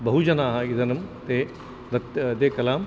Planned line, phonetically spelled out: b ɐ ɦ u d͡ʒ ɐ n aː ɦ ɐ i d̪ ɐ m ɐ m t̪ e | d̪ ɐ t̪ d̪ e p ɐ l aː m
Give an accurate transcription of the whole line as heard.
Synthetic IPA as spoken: b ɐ ɦ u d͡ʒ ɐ n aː ɦ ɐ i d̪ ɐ n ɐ m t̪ e | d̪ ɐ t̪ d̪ e k ɐ l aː m